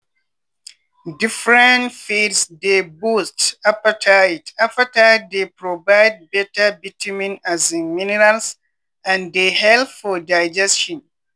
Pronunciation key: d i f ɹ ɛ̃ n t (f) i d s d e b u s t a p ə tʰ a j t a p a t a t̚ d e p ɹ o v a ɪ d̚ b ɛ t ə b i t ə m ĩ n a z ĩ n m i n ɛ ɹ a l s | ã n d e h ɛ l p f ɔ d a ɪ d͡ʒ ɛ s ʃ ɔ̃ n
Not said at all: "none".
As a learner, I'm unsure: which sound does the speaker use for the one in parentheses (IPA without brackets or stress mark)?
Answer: f